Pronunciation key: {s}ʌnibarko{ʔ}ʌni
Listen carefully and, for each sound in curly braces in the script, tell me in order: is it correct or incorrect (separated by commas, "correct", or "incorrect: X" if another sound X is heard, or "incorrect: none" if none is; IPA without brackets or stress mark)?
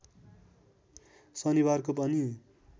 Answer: correct, incorrect: p